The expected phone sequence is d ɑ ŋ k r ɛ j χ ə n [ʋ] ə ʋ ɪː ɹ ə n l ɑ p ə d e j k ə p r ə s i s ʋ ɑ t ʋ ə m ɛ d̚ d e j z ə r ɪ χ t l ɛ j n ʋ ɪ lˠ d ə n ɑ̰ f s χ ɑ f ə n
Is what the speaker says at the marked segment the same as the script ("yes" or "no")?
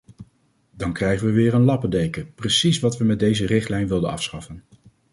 yes